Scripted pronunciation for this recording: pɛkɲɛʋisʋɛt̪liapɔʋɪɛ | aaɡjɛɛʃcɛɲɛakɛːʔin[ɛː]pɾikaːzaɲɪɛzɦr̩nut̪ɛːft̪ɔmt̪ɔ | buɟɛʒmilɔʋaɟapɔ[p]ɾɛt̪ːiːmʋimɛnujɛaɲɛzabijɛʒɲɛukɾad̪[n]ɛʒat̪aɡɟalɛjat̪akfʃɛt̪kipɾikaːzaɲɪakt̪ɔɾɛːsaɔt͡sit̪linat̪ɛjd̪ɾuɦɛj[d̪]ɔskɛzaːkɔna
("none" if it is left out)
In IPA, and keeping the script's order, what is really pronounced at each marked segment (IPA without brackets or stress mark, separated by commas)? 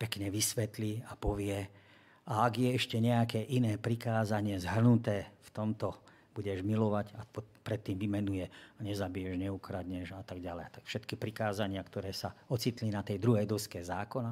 ɛː, p, ɲ, d̪